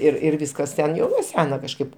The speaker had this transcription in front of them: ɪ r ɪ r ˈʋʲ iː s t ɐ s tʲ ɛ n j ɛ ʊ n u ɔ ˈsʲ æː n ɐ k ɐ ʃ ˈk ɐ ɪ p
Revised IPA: ɪ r ɪ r ˈʋʲ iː s k ɐ s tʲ ɛ n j ɛ ʊ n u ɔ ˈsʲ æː n ɐ k ɐ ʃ ˈk ɐ ɪ p

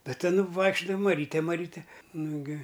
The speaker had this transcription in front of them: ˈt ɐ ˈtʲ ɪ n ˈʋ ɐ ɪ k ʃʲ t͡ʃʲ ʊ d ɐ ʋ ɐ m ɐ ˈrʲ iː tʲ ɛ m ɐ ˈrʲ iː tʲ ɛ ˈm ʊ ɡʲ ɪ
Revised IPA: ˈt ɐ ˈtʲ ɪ n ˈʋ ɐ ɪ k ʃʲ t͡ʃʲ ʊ d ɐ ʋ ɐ m ɐ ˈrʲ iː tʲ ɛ m ɐ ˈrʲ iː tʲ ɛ ˈn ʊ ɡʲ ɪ

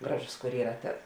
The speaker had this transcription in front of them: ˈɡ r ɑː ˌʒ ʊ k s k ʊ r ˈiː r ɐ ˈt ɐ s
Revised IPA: ˈɡ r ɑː ˌʒ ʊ s k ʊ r ˈiː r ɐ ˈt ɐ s

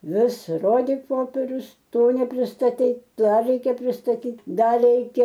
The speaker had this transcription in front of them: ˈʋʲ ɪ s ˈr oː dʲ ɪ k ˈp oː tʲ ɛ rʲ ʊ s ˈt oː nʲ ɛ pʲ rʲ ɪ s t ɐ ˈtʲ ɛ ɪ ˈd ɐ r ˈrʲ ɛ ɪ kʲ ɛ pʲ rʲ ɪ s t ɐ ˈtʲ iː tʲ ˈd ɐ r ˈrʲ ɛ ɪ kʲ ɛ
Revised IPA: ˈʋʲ ɪ s ˈr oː dʲ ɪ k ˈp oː pʲ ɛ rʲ ʊ s ˈt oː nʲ ɛ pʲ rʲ ɪ s t ɐ ˈtʲ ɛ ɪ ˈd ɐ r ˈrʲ ɛ ɪ kʲ ɛ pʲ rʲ ɪ s t ɐ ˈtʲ iː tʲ ˈd ɐ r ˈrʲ ɛ ɪ kʲ ɛ

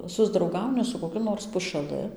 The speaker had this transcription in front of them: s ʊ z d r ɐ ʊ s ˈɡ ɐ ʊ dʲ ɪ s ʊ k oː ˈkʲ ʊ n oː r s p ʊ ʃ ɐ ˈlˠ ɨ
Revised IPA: s ʊ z d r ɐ ʊ ˈɡ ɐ ʊ nʲ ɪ s ʊ k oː ˈkʲ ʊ n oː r s p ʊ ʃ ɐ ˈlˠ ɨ

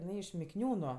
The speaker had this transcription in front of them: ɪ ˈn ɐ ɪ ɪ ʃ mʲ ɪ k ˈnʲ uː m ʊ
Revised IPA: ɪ ˈn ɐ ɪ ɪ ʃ mʲ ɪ k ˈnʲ uː n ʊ

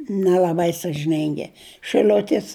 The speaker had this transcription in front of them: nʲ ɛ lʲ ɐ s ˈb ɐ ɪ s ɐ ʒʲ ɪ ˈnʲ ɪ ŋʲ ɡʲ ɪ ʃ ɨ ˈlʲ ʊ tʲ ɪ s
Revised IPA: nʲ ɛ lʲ ɐ ˈb ɐ ɪ s ɐ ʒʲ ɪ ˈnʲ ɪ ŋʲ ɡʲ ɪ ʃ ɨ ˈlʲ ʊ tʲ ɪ s

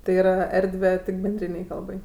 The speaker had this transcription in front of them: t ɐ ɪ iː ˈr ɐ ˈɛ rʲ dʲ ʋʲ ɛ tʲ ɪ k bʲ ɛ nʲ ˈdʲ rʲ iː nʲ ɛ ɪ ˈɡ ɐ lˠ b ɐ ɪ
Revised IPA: t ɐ ɪ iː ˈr ɐ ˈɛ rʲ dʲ ʋʲ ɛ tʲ ɪ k bʲ ɛ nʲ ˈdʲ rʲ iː nʲ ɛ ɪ ˈk ɐ lˠ b ɐ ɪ

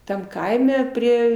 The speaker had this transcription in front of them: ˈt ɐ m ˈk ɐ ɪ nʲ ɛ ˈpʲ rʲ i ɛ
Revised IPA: ˈt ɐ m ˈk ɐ ɪ mʲ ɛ ˈpʲ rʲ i ɛ

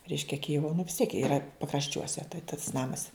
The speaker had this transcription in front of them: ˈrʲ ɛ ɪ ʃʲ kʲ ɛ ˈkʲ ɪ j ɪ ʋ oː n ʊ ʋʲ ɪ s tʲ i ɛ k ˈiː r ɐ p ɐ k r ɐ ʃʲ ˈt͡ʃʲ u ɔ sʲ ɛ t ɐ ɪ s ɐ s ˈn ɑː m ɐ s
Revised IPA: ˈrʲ ɛ ɪ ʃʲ kʲ ɛ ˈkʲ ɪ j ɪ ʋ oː n ʊ ʋʲ ɪ s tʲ i ɛ k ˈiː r ɐ p ɐ k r ɐ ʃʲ ˈt͡ʃʲ u ɔ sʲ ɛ t ɐ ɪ t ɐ s ˈn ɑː m ɐ s

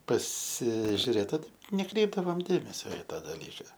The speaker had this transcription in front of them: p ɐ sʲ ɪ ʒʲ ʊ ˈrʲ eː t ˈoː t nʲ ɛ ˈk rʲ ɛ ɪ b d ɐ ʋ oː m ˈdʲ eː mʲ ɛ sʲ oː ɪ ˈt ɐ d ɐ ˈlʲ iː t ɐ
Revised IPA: p ɐ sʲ ɪ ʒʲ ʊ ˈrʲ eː t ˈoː t nʲ ɛ ˈk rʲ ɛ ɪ b d ɐ ʋ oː m ˈdʲ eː mʲ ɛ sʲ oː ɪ ˈt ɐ d ɐ ˈlʲ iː k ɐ

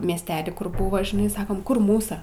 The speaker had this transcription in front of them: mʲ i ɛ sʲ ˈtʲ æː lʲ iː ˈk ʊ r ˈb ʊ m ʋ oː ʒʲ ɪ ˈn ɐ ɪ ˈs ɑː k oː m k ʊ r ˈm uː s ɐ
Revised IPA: mʲ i ɛ sʲ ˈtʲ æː lʲ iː ˈk ʊ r ˈb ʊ ʋ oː ʒʲ ɪ ˈn ɐ ɪ ˈs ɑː k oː m k ʊ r ˈm uː s ɐ

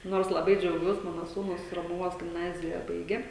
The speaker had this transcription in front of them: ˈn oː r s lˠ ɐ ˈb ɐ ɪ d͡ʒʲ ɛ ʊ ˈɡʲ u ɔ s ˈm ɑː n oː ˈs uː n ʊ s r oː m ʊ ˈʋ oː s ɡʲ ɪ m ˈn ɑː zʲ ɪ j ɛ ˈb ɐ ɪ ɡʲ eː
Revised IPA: ˈn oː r s lˠ ɐ ˈb ɐ ɪ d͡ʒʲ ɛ ʊ ˈɡʲ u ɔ s ˈm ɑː n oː ˈs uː n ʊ s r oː m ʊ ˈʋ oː s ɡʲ ɪ m ˈn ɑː zʲ ɪ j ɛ ˈb ɐ ɪ ɡʲ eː

